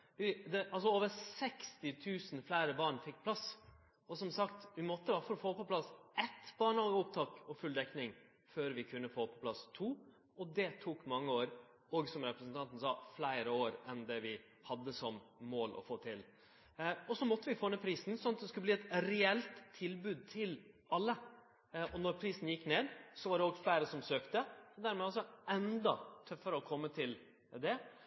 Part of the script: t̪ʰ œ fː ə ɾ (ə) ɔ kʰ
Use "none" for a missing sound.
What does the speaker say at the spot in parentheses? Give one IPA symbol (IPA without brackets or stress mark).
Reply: ə